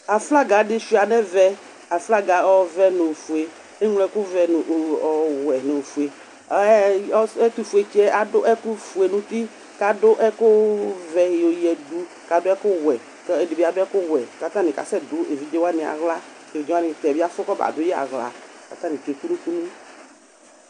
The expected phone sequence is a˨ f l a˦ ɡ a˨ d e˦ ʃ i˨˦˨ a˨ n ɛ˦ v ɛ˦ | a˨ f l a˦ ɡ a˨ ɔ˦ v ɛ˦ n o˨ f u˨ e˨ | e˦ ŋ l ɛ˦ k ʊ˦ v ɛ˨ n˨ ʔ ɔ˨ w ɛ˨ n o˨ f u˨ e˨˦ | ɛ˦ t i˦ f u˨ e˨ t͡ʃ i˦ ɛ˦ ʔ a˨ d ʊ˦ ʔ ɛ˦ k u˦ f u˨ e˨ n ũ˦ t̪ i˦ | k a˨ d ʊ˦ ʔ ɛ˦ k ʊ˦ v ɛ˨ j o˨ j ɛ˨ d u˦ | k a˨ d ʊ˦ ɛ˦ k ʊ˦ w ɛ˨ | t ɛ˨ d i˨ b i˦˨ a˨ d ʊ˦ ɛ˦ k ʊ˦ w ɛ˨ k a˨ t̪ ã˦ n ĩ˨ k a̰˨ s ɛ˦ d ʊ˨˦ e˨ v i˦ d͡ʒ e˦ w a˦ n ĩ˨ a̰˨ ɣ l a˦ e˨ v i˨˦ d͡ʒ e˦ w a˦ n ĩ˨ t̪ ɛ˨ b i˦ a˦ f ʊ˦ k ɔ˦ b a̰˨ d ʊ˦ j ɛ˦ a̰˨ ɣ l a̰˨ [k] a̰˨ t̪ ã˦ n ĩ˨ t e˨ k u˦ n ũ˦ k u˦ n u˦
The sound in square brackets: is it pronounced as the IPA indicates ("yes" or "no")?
yes